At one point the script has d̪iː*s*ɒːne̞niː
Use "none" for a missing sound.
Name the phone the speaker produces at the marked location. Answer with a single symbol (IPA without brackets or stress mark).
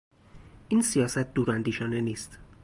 ʃ